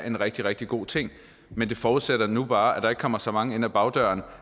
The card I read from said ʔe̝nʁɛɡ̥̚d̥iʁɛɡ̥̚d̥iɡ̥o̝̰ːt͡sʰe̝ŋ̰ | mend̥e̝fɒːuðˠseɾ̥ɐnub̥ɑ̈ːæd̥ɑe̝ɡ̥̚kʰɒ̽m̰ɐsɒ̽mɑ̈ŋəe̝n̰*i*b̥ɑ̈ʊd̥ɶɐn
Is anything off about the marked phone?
yes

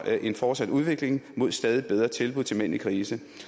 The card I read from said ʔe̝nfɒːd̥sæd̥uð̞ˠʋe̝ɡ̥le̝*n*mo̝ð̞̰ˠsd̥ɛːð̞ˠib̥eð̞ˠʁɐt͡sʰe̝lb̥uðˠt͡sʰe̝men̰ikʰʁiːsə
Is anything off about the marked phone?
yes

